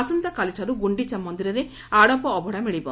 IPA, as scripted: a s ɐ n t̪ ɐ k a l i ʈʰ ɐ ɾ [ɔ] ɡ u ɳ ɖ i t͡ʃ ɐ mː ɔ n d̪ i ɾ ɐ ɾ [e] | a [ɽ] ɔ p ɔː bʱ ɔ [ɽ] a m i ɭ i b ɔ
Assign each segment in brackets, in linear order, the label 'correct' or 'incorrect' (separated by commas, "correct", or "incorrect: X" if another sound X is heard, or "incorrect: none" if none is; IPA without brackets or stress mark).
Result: incorrect: u, correct, correct, correct